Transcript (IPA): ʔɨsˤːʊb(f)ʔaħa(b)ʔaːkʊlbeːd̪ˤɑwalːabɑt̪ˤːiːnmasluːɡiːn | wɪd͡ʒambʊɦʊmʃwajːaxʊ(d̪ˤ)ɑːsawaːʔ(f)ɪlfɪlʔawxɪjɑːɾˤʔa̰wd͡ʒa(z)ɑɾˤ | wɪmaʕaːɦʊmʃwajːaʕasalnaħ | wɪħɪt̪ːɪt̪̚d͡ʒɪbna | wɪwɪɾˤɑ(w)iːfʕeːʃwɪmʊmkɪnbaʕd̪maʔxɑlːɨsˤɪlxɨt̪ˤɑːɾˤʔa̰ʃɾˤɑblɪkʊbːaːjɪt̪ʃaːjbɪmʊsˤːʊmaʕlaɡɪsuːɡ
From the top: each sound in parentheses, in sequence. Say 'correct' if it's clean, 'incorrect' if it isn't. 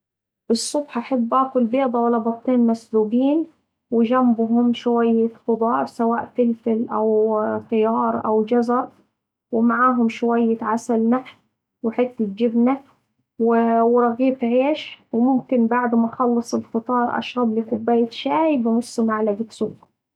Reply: incorrect, incorrect, correct, correct, correct, incorrect

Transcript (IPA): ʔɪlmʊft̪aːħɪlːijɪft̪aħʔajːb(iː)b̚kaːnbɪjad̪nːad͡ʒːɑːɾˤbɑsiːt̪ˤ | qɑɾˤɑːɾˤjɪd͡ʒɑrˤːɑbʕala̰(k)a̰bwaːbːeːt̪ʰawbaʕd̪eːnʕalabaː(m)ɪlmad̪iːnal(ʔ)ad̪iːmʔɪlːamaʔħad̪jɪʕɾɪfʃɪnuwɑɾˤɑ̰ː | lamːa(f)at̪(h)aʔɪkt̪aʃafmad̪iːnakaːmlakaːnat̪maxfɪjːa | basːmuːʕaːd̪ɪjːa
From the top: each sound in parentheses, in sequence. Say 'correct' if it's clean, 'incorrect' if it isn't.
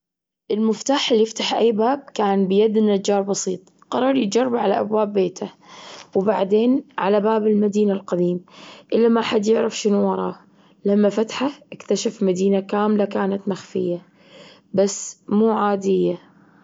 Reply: incorrect, incorrect, incorrect, incorrect, correct, incorrect

